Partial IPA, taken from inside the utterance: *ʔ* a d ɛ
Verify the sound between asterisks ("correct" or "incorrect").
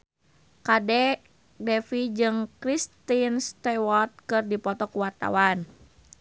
incorrect